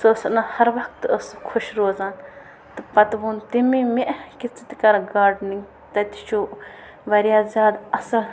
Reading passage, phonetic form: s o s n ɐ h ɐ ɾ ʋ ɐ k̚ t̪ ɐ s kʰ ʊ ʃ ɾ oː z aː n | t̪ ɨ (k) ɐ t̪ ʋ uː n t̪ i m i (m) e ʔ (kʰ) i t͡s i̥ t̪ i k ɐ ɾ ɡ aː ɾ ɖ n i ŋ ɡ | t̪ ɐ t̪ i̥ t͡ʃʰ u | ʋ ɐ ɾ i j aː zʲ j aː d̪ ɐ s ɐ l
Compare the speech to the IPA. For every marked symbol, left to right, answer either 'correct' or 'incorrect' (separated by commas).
incorrect, correct, incorrect